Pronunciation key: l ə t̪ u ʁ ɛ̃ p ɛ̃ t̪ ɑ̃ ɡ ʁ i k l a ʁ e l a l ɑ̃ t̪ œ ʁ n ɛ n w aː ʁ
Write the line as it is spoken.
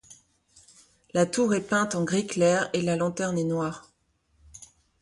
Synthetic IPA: l a t̪ u ʁ ɛ p ɛ̃ t̪ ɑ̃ ɡ ʁ i k l ɛ ʁ e l a l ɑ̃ t̪ ɛ ʁ n ɛ n w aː ʁ